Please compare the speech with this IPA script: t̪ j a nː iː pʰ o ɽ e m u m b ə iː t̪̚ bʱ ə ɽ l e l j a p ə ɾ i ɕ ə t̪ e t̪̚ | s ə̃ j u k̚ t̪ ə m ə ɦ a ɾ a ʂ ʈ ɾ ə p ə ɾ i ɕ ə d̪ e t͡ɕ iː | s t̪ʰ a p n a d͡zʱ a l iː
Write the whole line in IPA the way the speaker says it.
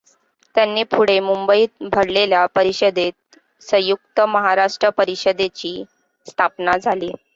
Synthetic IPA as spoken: t̪ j a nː iː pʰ u ɽ e m u m b ə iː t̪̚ bʱ ə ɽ l e l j a p ə ɾ i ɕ ə d̪ e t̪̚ | s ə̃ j u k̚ t̪ ə m ə ɦ a ɾ a ʂ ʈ ɾ ə p ə ɾ i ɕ ə d̪ e t͡ɕ iː | s t̪ʰ a p n a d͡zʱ a l iː